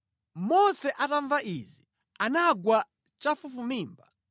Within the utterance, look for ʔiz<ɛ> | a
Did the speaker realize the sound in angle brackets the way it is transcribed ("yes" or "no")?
no